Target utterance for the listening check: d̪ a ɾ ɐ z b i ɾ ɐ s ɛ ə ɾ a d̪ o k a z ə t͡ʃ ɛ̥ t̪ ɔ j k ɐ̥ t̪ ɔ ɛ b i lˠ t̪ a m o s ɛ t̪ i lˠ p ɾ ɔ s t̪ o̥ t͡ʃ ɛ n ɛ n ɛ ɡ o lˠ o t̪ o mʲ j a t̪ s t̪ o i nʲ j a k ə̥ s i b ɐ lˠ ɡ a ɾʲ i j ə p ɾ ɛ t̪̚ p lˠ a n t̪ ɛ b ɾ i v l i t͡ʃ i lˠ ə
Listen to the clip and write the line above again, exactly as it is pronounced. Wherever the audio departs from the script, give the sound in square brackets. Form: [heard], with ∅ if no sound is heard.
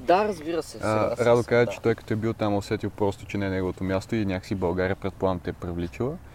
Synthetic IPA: d̪ a ɾ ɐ z b i ɾ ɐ s ɛ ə ɾ a d̪ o k a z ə t͡ʃ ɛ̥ t̪ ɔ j k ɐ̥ t̪ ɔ ɛ b i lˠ t̪ a m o s ɛ t̪ i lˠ p ɾ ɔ s t̪ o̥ t͡ʃ ɛ n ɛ n ɛ ɡ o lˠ o t̪ o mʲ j a [∅] s t̪ o i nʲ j a k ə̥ s i b ɐ lˠ ɡ a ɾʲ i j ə p ɾ ɛ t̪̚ p lˠ a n t̪ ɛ [p] ɾ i v l i t͡ʃ i lˠ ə